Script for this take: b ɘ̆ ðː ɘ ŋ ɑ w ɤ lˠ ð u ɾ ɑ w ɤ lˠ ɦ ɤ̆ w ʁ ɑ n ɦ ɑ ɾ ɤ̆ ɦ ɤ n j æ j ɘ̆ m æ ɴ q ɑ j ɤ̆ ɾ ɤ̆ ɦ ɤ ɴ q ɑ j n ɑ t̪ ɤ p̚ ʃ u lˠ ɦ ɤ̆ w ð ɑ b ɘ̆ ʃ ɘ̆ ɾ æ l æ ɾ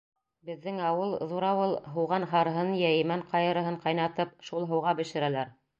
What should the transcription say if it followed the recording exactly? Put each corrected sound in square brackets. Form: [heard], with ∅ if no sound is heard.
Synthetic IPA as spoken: b ɘ̆ ðː ɘ ŋ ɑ w ɤ lˠ ð u ɾ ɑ w ɤ lˠ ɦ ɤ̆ w ʁ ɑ n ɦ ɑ ɾ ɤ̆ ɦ ɤ n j æ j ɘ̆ m æ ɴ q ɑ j ɤ̆ ɾ ɤ̆ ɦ ɤ ɴ q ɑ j n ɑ t̪ ɤ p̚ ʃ u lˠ ɦ ɤ̆ w [ʁ] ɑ b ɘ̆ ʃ ɘ̆ ɾ æ l æ ɾ